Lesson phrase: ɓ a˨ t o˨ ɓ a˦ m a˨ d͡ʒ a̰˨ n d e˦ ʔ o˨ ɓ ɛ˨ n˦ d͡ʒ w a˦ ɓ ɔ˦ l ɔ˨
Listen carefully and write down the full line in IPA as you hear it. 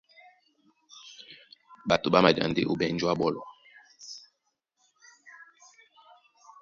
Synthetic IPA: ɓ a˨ t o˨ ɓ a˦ m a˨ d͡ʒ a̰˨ n d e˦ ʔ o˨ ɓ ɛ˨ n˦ d͡ʒ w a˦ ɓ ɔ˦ l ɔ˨